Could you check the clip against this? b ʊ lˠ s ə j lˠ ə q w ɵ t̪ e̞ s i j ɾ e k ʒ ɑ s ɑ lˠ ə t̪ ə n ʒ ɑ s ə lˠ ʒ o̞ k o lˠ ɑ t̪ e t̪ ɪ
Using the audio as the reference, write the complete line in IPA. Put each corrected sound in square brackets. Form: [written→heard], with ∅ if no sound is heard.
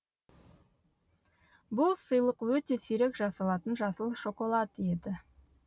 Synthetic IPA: b ʊ lˠ s ə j lˠ ə q w ɵ t̪ e̞ s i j ɾ e k ʒ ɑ s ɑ lˠ [ə→ɑ] t̪ ə n ʒ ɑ s ə lˠ [ʒ→ʃ] o̞ k o lˠ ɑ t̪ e [t̪→d̪] ɪ